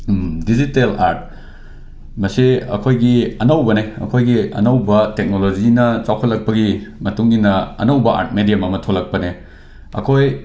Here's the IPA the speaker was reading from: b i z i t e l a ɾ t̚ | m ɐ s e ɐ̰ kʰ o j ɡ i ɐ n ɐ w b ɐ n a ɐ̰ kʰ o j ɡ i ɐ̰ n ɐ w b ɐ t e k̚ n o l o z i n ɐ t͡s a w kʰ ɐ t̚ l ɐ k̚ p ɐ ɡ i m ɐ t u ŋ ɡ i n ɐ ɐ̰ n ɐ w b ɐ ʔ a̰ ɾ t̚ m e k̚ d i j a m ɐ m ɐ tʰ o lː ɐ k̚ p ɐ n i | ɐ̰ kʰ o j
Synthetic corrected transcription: d i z i t e l a ɾ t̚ | m ɐ s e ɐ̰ kʰ o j ɡ i ɐ n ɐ w b ɐ n e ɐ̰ kʰ o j ɡ i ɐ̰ n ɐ w b ɐ t e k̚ n o l o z i n ɐ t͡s a w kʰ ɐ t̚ l ɐ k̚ p ɐ ɡ i m ɐ t u ŋ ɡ i n ɐ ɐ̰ n ɐ w b ɐ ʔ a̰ ɾ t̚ m e d i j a m ɐ m ɐ tʰ o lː ɐ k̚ p ɐ n e | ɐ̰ kʰ o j